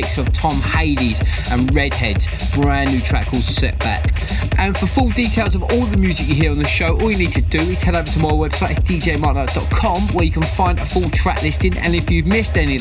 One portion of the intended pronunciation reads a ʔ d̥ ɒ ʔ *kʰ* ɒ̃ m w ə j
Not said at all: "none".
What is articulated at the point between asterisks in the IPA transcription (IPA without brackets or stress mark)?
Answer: kʰ